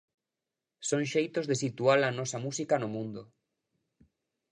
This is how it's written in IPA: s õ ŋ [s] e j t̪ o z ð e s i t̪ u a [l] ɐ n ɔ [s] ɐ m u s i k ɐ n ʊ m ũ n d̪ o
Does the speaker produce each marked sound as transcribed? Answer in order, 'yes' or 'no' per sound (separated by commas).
no, yes, yes